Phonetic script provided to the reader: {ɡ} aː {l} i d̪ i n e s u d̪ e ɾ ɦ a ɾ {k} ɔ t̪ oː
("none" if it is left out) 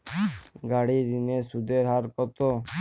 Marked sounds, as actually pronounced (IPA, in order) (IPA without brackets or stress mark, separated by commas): ɡ, ɽ, k